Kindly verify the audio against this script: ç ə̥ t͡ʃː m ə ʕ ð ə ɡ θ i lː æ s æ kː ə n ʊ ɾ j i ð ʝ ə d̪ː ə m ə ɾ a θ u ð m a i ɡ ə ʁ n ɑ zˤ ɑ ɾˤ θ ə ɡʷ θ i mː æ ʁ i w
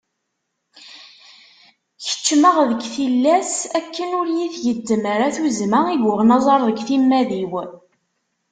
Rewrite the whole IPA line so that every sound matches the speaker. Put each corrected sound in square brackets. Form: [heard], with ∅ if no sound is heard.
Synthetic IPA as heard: ç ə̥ t͡ʃː m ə [ʁ] ð ə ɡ θ i lː æ s æ kː ə n ʊ ɾ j i [θ] ʝ ə d̪ː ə m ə ɾ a θ u [z] m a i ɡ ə ʁ n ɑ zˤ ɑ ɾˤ [ð] ə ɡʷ θ i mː æ [ð] i w